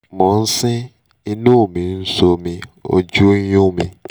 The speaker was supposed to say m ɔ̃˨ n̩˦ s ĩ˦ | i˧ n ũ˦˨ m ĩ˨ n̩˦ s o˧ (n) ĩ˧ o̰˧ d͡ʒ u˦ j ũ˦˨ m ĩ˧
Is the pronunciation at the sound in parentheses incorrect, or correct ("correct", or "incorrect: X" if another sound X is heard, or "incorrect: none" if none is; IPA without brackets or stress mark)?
incorrect: m